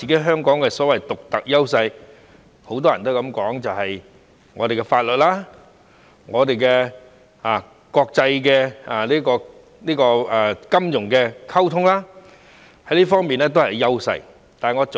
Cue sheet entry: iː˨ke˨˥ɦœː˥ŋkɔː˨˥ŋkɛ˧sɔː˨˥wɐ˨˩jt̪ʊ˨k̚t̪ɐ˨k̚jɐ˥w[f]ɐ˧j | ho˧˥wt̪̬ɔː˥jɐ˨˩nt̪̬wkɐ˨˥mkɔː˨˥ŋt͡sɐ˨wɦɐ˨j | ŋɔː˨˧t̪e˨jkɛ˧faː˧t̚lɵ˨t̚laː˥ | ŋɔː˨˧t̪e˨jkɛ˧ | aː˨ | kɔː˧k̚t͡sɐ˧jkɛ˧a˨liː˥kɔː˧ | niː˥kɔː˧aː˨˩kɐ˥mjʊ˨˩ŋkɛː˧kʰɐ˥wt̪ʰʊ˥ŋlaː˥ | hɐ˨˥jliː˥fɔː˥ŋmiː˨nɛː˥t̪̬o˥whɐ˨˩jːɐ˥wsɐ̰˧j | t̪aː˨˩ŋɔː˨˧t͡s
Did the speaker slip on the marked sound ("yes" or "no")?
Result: yes